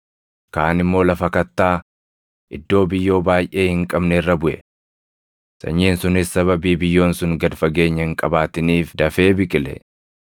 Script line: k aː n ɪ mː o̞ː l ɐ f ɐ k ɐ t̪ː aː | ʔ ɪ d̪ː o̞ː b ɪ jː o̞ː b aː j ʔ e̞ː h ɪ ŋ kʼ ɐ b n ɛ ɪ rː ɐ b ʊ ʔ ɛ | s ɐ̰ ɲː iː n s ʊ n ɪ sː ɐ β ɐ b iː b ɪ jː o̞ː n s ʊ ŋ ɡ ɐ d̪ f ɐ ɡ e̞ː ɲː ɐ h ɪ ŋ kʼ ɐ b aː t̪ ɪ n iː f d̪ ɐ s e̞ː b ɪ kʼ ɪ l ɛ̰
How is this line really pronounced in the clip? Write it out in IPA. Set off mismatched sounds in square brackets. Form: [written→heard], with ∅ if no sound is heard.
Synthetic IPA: k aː n ɪ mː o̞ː l ɐ f ɐ k ɐ t̪ː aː | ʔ ɪ d̪ː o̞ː b ɪ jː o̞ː b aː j ʔ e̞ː h ɪ ŋ kʼ ɐ b n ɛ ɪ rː ɐ b ʊ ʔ ɛ | s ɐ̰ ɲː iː n s ʊ n ɪ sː ɐ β ɐ b iː b ɪ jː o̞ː n s ʊ ŋ ɡ ɐ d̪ f ɐ ɡ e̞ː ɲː ɐ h ɪ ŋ kʼ ɐ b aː t̪ ɪ n iː f d̪ ɐ [s→f] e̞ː b ɪ kʼ ɪ l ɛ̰